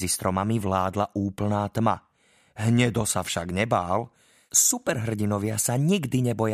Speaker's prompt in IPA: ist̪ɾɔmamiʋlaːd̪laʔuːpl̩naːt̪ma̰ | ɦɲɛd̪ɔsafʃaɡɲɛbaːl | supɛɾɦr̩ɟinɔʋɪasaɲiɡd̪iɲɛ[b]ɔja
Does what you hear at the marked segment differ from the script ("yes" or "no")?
no